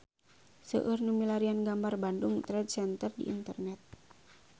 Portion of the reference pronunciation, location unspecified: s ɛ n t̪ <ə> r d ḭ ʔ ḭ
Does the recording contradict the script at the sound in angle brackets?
no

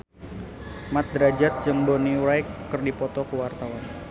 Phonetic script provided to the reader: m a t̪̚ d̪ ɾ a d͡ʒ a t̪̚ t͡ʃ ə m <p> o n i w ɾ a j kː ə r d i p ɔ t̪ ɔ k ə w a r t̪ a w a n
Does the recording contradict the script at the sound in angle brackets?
yes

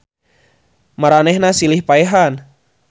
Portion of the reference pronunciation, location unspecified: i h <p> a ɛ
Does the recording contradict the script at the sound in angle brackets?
no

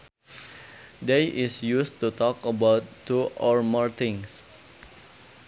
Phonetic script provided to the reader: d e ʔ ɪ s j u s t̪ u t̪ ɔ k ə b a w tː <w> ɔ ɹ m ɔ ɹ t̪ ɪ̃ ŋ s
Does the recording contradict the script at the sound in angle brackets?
yes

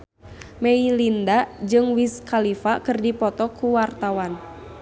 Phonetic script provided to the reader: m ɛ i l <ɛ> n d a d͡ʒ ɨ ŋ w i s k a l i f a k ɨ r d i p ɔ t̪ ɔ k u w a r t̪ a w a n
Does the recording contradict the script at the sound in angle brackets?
yes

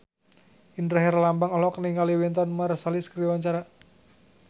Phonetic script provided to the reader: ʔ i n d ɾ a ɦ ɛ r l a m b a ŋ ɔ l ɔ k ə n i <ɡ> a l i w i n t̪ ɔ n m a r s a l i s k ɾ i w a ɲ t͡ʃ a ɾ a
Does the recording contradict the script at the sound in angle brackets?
yes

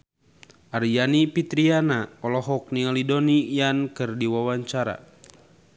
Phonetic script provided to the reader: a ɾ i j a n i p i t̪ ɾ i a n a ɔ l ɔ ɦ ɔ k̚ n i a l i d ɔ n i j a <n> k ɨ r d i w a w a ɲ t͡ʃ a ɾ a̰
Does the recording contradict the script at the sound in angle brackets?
no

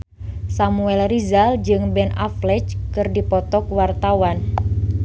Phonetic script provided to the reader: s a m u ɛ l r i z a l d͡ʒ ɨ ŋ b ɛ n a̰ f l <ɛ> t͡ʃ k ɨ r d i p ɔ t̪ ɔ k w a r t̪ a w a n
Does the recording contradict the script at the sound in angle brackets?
no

